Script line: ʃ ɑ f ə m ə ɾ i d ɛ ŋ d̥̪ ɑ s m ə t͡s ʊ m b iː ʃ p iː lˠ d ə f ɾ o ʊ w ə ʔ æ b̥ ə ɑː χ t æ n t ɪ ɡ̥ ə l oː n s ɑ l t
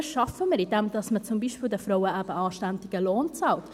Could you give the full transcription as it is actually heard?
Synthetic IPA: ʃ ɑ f ə m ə ɾ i d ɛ m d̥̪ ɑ s m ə t͡s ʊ m b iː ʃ p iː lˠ d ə f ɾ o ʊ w ə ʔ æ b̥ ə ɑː ʃ t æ n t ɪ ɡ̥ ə l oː n t͡s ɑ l t

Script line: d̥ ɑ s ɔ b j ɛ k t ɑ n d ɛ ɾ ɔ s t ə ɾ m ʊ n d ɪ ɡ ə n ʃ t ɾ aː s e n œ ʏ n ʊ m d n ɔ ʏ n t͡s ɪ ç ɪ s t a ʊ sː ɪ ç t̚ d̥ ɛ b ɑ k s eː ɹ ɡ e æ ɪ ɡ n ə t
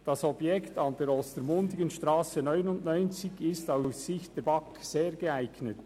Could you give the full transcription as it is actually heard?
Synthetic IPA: d̥ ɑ s ɔ b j ɛ k t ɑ n d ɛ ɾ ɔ s t ə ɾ m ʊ n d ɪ ɡ ə n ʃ t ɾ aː s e n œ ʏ n ʊ n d n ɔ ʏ n t͡s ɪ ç ɪ s t a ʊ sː ɪ ç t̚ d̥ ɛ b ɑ k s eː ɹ ɡ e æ ɪ ɡ n ə t

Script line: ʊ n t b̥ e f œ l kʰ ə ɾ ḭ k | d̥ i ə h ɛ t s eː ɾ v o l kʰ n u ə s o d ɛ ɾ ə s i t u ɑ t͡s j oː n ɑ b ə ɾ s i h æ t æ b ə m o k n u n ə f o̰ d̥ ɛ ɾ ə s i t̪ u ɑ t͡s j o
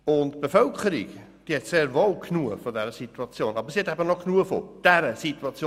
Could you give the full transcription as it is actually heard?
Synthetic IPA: ʊ n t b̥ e f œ l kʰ ə ɾ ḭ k | d̥ i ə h ɛ t s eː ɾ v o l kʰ n u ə f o d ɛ ɾ ə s i t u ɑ t͡s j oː n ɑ b ə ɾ s i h ɛ t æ b ə n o k n u ə f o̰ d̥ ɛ ɾ ə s i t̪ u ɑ t͡s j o

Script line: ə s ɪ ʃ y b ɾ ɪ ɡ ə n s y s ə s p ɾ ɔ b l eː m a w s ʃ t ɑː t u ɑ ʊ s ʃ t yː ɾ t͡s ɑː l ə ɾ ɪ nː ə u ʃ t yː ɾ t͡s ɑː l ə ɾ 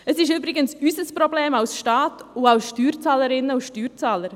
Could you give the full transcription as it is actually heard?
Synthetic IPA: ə s ɪ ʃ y b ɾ ɪ ɡ ə n s y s ə s p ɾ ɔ b l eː m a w s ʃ t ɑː t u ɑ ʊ s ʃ t yː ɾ t͡s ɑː l ə ɾ ɪ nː ə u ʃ t yː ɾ t͡s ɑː l ə ɾ

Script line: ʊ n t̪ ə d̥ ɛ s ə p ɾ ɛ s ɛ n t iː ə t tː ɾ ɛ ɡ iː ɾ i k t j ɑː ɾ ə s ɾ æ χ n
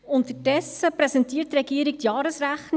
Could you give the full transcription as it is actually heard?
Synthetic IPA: ʊ n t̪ ə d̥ ɛ s ə p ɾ ɛ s ɛ n t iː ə t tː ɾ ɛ ɡ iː ɾ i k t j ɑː ɾ ə s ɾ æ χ n

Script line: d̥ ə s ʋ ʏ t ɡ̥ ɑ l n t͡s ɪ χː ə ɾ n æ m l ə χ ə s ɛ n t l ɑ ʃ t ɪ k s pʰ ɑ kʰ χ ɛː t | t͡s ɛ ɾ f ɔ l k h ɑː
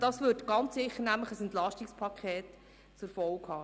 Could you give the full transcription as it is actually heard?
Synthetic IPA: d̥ ɑ s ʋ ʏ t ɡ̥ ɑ n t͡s ɪ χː ə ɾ n æ m l ə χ ə s ɛ n t l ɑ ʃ t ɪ k s pʰ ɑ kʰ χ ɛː t | t͡s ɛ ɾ f ɔ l k h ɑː

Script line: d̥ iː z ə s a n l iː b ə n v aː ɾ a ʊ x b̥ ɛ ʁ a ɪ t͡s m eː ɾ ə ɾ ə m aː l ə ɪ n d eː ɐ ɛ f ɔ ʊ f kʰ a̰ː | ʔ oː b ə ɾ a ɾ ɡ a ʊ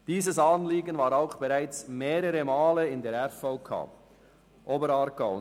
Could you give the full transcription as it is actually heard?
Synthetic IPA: d̥ iː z ə s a n l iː ɡ ə n v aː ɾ a ʊ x b̥ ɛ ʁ a ɪ t͡s m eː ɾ ə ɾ ə m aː l ə ɪ n d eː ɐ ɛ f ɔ ʊ kʰ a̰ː | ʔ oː b ə ɾ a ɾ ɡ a ʊ

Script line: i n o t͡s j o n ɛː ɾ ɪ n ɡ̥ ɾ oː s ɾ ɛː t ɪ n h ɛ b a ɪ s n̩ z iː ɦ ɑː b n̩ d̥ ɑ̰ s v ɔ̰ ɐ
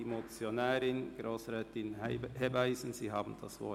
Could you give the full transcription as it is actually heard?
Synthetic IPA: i m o t͡s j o n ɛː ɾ ɪ n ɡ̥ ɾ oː s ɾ ɛː t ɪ n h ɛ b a ɪ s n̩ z iː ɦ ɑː b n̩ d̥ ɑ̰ s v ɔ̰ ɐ

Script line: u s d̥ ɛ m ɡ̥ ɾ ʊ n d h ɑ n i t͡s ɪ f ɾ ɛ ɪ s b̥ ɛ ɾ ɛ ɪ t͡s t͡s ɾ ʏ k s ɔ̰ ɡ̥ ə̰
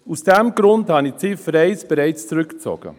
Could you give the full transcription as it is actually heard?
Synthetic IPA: u s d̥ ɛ m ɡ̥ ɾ ʊ n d h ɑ n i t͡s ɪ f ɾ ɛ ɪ s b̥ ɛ ɾ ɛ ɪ t͡s t͡s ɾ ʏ k t͡s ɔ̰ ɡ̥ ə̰

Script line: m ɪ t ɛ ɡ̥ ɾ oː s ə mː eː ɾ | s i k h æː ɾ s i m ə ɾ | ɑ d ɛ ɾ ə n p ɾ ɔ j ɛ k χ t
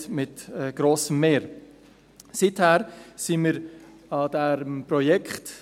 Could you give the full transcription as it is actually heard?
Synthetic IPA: m ɪ t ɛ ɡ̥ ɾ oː s ə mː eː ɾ | s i t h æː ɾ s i m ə ɾ | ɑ d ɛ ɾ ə m p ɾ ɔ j ɛ k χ t

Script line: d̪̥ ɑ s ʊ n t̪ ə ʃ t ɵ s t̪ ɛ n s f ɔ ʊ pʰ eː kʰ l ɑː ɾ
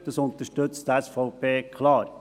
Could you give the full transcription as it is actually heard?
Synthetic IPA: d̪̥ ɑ s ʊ n t̪ ə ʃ t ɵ t͡s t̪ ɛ s f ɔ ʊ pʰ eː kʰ l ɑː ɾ

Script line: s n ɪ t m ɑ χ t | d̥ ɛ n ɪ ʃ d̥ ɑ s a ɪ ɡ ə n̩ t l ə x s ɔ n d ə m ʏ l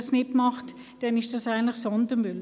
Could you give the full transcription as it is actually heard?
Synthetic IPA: s n ɪ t m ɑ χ t | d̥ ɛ n ɪ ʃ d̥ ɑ s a ɪ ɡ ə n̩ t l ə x s ɔ n d ə m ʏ l

